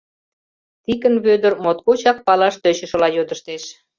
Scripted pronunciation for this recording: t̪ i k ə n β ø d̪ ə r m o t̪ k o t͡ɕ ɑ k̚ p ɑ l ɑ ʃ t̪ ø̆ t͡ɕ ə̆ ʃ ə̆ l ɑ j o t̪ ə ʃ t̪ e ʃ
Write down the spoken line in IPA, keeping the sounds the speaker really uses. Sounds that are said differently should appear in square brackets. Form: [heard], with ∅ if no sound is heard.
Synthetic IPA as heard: t̪ i k ə n β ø d̪ ə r m o t̪ k o t͡ɕ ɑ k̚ p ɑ l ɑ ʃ t̪ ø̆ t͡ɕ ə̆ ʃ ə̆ l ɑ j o [d̪] ə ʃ t̪ e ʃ